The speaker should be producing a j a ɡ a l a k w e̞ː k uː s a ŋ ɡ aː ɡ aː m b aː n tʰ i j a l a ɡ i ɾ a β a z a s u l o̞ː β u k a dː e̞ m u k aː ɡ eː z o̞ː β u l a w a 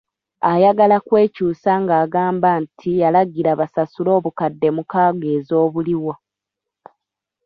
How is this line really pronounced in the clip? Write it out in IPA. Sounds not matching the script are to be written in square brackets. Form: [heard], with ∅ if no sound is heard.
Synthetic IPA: a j a ɡ a l a k w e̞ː [c] uː s a ŋ ɡ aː ɡ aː m b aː n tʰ i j a l a ɡ i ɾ a β a [s] a s u l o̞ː β u k a dː e̞ m u k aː ɡ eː z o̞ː β u l [i] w a